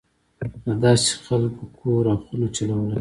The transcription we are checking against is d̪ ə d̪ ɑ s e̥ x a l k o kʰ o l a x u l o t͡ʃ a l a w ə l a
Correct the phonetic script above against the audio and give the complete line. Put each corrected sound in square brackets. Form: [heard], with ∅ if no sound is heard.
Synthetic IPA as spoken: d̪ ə d̪ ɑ s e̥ x a l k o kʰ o [ɾ] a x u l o t͡ʃ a l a w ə l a